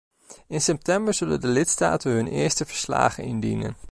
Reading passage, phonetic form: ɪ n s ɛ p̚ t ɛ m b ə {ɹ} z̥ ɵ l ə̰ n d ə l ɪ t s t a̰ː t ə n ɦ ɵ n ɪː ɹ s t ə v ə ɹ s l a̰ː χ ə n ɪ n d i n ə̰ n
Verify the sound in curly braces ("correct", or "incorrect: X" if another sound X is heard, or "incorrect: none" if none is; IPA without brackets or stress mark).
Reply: correct